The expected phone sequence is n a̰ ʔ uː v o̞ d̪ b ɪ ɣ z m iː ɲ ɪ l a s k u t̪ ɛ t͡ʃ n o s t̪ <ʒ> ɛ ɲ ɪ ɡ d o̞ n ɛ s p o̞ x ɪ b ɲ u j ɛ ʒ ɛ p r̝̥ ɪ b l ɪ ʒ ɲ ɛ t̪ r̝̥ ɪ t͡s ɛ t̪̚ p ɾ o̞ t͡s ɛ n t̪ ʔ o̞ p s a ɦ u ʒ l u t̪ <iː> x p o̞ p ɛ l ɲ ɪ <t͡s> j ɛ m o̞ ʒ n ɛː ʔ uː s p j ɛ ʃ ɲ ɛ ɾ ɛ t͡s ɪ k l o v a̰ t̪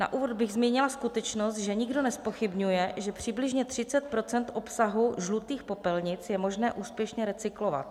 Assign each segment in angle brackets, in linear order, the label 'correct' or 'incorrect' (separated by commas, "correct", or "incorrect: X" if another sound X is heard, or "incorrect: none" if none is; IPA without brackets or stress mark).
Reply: correct, correct, correct